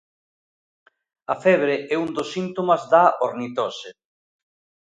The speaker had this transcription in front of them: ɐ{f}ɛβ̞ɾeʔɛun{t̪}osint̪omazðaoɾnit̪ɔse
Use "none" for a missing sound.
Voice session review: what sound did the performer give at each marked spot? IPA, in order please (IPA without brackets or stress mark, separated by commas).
f, d̪